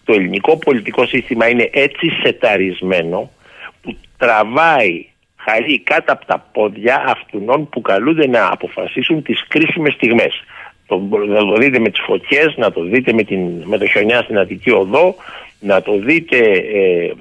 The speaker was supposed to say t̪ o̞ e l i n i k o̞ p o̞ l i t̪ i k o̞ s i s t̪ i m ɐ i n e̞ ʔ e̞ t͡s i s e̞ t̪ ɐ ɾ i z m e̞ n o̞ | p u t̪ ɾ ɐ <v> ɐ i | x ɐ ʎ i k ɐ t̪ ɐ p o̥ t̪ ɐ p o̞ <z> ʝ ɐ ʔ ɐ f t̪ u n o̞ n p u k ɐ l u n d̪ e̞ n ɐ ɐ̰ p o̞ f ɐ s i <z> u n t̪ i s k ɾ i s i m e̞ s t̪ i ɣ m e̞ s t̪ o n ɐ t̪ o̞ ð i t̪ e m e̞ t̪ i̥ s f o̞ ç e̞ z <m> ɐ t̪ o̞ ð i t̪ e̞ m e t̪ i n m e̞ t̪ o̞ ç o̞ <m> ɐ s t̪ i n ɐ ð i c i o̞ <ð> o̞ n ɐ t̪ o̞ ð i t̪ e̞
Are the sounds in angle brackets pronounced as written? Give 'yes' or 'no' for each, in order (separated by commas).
yes, no, no, no, no, yes